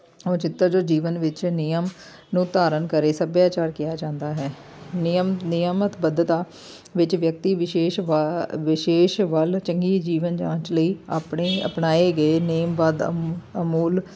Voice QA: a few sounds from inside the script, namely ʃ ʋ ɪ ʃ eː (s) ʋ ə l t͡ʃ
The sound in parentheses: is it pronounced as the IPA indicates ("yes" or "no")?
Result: no